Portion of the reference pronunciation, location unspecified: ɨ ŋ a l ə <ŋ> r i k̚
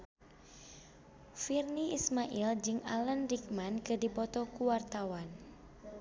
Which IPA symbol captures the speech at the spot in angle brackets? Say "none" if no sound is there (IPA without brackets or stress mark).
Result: n